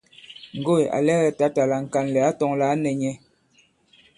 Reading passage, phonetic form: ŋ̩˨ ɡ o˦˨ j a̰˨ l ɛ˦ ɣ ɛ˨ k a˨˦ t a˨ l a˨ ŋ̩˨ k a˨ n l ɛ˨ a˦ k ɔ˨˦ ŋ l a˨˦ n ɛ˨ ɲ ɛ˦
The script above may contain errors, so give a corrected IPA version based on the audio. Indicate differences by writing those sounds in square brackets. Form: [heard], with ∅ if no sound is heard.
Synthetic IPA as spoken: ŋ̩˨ ɡ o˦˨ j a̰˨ l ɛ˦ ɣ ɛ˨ [t] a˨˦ t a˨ l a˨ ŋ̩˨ k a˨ n l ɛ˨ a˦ [t] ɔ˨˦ ŋ l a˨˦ n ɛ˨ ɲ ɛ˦